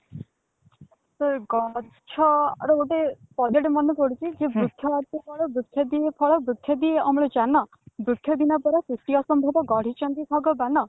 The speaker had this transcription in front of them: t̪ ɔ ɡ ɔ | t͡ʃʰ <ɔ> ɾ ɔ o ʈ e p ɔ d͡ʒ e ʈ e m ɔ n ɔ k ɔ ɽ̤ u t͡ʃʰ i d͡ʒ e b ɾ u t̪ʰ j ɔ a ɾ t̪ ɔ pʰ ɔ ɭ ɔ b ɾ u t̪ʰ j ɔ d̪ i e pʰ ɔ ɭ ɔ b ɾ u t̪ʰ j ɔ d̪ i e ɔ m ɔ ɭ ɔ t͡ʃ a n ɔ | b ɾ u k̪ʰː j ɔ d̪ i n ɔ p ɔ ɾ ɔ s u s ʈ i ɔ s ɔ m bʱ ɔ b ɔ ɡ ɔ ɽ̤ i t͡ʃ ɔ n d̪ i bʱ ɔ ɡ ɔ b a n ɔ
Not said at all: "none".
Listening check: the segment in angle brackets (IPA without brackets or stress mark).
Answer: ɔ